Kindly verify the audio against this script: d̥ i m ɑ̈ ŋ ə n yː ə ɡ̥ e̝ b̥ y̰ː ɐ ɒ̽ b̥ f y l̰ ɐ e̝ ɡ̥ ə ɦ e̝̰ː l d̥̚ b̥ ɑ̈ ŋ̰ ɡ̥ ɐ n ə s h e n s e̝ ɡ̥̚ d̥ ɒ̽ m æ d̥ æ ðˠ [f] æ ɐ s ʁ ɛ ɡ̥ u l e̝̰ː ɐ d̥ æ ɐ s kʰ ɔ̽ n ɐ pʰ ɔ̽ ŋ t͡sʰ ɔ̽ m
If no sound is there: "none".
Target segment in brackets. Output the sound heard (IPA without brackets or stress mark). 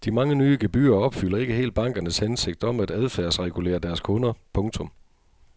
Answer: f